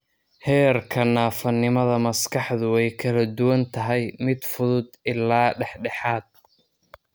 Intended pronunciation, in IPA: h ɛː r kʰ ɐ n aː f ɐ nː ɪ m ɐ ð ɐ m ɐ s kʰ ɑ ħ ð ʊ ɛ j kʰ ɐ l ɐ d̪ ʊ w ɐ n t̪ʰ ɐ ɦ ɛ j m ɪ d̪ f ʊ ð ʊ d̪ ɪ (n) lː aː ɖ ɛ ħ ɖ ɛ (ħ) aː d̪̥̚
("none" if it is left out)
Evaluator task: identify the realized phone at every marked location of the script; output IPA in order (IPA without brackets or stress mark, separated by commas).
none, ħ